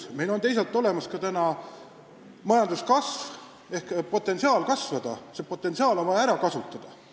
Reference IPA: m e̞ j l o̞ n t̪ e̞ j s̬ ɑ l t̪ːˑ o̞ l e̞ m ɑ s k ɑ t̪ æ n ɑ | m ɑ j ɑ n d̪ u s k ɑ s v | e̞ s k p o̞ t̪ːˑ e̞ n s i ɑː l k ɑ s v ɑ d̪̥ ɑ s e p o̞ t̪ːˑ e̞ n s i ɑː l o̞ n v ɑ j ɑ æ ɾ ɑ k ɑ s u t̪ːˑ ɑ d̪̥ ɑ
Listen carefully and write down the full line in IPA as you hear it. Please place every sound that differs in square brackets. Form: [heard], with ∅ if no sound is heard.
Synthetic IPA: m e̞ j l o̞ n t̪ e̞ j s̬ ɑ l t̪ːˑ o̞ l e̞ m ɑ s k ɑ t̪ æ n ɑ | m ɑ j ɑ n d̪ u s k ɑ s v | e̞ [h] k p o̞ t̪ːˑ e̞ n s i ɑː l k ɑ s v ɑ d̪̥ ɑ s e p o̞ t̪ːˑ e̞ n s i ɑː l o̞ n v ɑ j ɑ æ ɾ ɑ k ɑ s u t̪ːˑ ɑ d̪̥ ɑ